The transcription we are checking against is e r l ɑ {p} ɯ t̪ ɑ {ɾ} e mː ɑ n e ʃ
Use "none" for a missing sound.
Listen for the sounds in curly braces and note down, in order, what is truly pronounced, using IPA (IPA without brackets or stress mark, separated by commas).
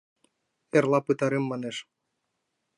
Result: p, ɾ